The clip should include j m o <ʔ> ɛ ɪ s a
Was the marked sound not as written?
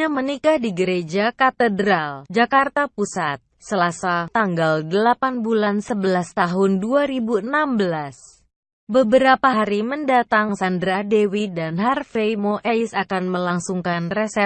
no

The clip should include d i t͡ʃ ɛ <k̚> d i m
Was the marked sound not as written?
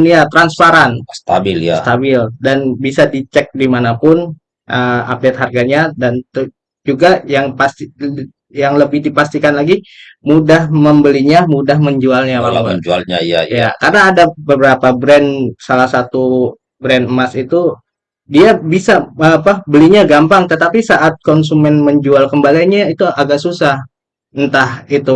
no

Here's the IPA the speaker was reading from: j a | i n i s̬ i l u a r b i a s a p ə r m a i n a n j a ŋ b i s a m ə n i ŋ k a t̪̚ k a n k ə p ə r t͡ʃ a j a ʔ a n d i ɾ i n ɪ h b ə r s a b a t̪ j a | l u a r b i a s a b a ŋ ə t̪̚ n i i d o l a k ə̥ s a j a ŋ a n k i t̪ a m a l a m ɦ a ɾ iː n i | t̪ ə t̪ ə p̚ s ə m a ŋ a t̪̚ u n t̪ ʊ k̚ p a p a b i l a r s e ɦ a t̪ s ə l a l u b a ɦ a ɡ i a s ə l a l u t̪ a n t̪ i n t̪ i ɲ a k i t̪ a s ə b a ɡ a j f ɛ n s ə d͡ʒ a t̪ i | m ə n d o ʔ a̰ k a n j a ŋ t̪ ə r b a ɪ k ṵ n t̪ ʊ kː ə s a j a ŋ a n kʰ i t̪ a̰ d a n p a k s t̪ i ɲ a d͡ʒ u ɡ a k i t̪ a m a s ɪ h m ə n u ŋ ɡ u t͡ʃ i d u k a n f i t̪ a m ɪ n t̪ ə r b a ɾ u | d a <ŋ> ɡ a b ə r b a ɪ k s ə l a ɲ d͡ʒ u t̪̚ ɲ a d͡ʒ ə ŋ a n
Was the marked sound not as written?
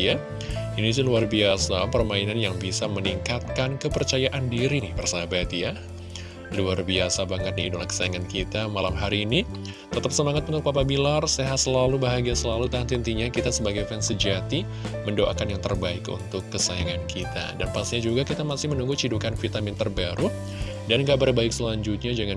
yes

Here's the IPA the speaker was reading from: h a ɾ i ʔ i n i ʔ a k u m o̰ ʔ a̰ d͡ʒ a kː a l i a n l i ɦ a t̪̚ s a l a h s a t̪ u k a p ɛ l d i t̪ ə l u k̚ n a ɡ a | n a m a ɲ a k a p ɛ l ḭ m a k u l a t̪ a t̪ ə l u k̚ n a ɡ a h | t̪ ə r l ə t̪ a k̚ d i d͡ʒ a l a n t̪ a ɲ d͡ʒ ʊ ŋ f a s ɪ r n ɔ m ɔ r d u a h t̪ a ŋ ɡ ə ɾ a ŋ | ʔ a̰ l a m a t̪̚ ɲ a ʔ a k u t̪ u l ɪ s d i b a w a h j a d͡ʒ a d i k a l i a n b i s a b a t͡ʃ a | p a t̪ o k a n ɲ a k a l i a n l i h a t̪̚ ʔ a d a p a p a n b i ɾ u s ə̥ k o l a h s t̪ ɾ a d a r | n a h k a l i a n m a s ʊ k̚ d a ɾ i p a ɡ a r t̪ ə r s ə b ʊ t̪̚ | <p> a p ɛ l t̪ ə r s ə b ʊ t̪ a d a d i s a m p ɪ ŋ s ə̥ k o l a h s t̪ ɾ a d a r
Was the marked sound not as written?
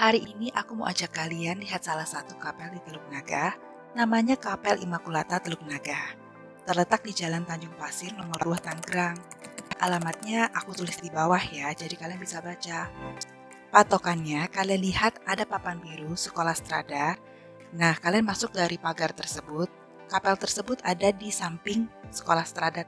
yes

